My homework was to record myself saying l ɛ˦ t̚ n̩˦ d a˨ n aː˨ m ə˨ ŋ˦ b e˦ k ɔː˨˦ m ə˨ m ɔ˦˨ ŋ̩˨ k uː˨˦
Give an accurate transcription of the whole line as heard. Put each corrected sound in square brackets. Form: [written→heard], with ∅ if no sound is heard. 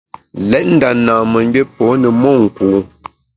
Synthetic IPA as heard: l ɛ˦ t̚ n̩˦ d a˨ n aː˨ m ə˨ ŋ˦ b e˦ [k→p] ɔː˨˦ [m→n] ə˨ m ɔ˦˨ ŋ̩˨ k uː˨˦